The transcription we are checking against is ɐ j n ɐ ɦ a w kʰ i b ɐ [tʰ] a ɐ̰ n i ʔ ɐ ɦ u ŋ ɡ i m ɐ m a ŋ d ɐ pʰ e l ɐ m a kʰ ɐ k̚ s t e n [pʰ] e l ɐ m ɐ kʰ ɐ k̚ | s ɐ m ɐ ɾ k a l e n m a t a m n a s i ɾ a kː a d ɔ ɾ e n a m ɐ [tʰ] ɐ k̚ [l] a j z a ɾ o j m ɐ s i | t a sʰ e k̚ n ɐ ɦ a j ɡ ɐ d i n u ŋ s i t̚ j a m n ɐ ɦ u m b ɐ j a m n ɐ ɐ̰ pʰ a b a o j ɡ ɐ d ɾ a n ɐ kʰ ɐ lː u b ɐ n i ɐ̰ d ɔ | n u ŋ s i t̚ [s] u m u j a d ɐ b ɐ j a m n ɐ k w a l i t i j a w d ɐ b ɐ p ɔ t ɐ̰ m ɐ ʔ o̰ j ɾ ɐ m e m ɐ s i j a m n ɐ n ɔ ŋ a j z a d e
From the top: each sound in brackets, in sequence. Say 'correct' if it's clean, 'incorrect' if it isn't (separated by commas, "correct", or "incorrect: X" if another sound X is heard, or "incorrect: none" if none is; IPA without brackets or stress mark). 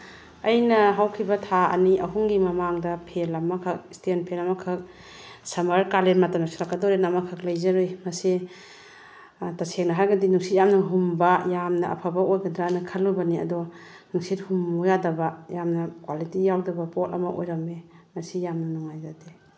correct, correct, incorrect: kʰ, correct, incorrect: h